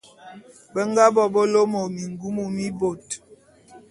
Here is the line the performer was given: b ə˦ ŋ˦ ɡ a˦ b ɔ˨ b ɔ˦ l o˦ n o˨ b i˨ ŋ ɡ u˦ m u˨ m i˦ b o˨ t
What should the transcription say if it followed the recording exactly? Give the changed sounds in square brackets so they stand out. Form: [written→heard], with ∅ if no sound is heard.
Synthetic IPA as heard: b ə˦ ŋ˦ ɡ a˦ b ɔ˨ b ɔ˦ l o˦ [n→m] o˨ [b→m] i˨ ŋ ɡ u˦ m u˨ m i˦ b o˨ t